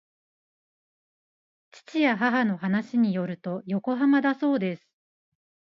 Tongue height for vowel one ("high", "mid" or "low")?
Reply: high